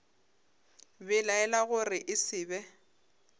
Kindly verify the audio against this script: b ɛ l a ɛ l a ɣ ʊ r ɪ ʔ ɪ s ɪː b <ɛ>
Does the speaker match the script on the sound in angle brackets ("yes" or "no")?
yes